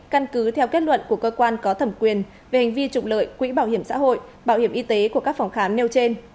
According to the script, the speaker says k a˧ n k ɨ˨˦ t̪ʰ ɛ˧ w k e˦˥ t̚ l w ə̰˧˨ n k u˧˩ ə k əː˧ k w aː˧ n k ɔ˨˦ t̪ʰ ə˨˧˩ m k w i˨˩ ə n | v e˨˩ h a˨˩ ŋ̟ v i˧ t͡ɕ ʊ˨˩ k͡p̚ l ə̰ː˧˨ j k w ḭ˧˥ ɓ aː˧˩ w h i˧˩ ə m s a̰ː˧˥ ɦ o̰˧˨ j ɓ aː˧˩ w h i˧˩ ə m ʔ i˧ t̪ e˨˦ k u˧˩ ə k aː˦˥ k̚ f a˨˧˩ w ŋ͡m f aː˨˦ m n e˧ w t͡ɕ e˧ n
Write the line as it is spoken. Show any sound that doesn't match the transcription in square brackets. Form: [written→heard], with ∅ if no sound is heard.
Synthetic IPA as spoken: k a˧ n k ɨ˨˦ t̪ʰ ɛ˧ w k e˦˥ t̚ l w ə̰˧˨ n k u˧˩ ə k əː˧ k w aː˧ n k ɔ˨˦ t̪ʰ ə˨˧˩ m k w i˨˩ ə n | v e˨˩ h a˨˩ ŋ̟ v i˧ t͡ɕ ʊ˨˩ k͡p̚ l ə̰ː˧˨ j k w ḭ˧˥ ɓ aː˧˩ w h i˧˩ ə m s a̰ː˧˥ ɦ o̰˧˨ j ɓ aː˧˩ w h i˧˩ ə m ʔ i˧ t̪ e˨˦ k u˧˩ ə k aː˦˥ k̚ f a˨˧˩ w ŋ͡m [f→x] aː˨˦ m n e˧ w t͡ɕ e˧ n